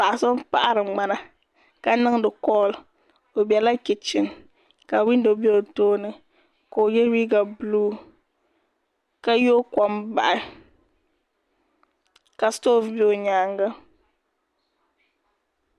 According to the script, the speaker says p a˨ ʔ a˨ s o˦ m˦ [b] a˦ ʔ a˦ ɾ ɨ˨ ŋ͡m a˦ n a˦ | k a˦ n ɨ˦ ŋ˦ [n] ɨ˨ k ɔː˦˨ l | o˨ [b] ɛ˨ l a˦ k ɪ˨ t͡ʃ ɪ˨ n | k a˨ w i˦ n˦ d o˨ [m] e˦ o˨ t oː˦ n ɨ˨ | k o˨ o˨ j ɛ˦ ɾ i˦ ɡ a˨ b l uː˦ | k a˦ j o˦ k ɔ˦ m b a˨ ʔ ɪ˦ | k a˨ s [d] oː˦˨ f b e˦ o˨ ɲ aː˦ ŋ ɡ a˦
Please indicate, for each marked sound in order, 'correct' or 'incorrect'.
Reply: incorrect, incorrect, correct, incorrect, incorrect

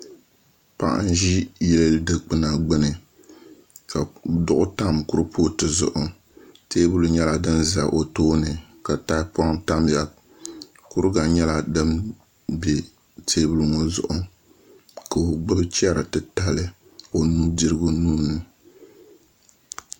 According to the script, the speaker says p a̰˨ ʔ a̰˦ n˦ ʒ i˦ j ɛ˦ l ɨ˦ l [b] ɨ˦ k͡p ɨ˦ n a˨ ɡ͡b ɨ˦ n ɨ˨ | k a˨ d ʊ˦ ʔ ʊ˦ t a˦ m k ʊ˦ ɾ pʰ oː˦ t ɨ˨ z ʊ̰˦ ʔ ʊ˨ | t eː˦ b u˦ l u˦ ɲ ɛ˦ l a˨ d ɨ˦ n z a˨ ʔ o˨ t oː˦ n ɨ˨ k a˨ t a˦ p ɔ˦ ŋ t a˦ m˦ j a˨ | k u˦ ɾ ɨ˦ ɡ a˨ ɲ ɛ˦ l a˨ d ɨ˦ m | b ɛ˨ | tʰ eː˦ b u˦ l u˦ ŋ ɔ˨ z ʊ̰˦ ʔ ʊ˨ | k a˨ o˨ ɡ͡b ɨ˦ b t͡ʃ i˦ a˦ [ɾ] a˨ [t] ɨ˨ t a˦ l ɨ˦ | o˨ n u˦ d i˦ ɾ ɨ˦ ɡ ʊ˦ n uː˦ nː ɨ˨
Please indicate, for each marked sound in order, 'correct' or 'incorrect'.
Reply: incorrect, correct, correct

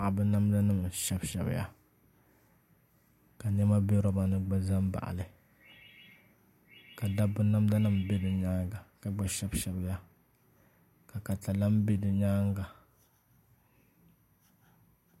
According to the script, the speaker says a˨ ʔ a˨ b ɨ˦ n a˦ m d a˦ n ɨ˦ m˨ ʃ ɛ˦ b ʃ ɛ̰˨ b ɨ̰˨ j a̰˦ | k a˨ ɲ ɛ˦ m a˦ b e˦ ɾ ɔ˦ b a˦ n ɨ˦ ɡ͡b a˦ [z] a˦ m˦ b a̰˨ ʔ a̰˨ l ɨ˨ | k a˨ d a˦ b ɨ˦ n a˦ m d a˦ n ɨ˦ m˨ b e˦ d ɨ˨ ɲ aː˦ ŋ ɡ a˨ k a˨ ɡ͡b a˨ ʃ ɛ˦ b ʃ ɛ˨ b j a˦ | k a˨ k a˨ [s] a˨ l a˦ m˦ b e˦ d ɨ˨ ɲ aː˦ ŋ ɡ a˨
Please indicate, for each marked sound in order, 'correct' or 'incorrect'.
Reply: correct, incorrect

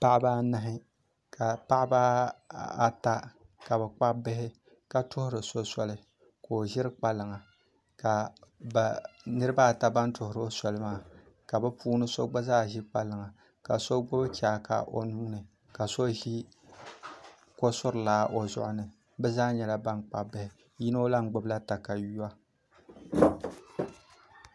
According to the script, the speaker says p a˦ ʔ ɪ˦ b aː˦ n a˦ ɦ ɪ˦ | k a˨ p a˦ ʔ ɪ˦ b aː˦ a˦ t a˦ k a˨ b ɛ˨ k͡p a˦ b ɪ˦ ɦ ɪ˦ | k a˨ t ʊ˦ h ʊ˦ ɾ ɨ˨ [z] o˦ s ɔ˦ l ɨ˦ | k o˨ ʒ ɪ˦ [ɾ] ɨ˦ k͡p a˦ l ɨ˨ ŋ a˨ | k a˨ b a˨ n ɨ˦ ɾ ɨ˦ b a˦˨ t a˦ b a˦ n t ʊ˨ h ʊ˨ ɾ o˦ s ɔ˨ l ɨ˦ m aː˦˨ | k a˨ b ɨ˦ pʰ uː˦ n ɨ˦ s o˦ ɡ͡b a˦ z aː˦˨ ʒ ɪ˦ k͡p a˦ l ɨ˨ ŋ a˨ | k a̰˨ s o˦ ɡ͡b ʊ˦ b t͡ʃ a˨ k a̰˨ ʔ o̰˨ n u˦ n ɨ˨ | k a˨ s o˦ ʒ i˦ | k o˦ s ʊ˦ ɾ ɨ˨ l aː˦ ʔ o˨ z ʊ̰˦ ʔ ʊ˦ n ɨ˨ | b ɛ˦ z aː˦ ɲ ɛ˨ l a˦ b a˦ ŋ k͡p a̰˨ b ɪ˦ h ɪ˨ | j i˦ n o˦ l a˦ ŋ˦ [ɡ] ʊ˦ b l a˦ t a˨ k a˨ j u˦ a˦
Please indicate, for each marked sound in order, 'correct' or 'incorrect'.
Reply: incorrect, correct, incorrect

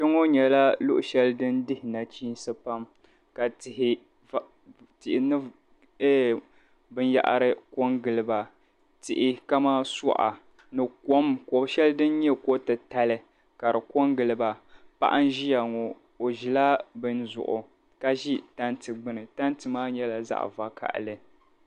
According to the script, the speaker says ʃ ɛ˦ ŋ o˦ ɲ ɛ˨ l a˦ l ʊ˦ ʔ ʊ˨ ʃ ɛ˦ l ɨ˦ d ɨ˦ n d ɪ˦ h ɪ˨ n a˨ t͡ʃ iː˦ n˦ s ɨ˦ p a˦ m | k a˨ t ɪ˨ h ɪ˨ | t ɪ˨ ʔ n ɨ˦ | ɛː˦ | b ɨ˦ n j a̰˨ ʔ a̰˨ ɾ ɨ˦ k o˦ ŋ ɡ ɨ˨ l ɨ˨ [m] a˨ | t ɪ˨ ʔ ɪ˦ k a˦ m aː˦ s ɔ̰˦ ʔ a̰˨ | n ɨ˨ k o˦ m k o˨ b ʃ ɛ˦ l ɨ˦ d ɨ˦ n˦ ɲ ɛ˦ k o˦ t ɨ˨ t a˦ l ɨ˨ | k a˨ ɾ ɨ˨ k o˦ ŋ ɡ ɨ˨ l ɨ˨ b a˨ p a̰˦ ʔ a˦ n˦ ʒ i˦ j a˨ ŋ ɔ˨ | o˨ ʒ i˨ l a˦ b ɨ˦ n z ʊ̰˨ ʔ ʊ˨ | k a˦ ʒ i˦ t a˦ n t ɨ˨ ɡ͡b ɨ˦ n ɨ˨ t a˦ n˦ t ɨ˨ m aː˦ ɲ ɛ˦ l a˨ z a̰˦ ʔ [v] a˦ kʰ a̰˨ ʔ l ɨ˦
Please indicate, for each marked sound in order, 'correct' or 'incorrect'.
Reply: incorrect, correct

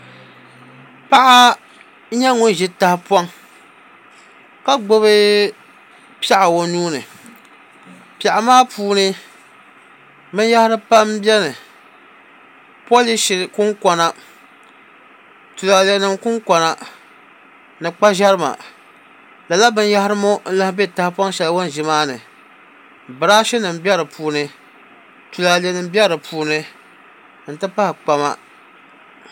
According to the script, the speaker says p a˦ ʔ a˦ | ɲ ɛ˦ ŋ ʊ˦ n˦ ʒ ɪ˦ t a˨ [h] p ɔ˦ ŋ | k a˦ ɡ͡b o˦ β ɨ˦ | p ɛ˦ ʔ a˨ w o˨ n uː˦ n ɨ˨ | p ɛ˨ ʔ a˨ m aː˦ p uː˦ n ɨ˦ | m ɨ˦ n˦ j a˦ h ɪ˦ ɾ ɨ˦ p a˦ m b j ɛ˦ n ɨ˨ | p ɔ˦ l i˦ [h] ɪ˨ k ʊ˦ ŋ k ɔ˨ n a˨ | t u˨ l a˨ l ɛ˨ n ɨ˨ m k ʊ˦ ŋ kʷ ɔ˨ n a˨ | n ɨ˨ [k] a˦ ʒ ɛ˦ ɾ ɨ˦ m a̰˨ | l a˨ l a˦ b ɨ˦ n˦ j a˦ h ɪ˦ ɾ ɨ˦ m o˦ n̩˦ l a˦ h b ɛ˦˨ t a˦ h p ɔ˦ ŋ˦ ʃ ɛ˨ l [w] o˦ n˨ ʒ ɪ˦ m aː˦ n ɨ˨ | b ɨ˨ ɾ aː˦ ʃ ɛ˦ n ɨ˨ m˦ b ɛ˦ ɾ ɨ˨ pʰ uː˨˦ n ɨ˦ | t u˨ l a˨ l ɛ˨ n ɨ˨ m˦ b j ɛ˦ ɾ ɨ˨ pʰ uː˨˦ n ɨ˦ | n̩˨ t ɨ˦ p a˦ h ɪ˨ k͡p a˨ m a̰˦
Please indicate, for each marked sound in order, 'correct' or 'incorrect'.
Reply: correct, incorrect, incorrect, correct

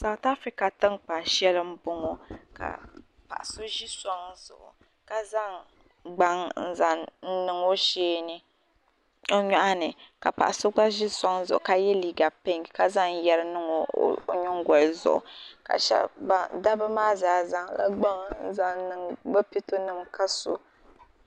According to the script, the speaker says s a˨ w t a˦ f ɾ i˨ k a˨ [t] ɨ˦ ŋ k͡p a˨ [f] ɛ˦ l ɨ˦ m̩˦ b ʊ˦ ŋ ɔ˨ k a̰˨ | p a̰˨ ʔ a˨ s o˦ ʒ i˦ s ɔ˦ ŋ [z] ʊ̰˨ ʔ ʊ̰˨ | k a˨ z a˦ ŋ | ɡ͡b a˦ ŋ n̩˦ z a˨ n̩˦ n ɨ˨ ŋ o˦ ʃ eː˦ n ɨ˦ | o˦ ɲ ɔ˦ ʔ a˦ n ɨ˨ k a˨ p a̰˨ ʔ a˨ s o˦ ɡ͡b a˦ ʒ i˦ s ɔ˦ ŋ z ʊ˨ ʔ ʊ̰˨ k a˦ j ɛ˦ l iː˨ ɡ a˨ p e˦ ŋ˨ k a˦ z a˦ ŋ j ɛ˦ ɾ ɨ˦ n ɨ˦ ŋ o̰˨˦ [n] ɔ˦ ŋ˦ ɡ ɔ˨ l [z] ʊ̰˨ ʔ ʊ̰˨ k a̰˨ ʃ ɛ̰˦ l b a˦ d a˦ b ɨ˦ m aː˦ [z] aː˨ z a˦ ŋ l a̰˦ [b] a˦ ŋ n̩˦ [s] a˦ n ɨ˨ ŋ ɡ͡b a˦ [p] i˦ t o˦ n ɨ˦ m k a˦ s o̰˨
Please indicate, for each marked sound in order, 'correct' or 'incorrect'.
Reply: correct, incorrect, correct, incorrect, correct, correct, incorrect, incorrect, correct

